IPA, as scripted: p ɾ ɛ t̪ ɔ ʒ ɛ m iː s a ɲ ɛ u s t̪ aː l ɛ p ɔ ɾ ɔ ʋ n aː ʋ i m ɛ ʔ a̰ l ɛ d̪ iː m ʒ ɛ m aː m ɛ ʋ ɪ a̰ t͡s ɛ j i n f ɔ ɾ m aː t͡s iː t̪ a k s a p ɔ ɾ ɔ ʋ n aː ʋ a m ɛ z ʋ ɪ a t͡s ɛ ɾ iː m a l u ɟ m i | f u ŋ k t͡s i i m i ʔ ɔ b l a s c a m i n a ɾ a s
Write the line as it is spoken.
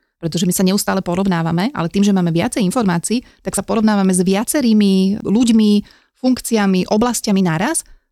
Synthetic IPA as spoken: p ɾ ɛ t̪ ɔ ʒ ɛ m i s a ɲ ɛ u s t̪ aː l ɛ p ɔ ɾ ɔ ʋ n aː ʋ a m ɛ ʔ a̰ l ɛ t̪ iː m ʒ ɛ m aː m ɛ ʋ ɪ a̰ t͡s ɛ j i n f ɔ ɾ m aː t͡s iː t̪ a k s a p ɔ ɾ ɔ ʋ n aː ʋ a m ɛ z ʋ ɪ a t͡s ɛ ɾ iː m i l u ɟ m i | f u ŋ k t͡s i a m i ʔ ɔ b l a s c a m i n a ɾ a s